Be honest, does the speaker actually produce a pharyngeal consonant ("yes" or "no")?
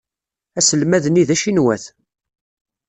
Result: no